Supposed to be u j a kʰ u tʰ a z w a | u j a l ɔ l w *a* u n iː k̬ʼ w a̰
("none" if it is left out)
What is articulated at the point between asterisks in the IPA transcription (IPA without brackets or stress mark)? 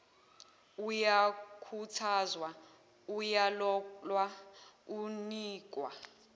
a